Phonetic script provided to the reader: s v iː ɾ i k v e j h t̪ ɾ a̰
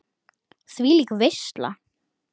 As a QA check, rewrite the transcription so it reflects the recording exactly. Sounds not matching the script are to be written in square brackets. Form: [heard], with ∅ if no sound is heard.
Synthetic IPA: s v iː [l] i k v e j [s] t̪ [l] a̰